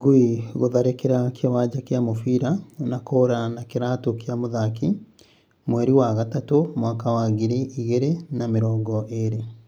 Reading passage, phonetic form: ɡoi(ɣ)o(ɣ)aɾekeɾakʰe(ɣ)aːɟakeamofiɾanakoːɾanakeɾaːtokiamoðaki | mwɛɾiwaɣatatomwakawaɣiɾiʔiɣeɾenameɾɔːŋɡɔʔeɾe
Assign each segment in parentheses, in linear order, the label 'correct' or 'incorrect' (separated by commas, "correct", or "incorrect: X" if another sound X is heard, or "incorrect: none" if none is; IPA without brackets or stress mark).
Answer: correct, incorrect: ð, incorrect: w